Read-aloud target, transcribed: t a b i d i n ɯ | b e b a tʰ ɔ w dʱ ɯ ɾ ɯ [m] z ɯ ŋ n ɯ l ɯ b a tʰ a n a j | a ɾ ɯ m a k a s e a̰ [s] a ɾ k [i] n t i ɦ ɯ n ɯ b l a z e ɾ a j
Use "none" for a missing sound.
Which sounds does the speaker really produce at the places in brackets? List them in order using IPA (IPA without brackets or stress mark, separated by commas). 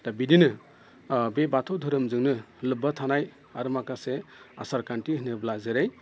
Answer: m, s, a